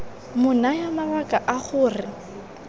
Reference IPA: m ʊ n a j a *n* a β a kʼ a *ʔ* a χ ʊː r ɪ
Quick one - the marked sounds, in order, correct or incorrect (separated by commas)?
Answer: incorrect, correct